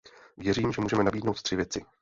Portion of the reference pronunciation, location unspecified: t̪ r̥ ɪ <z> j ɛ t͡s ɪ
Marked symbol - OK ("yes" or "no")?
no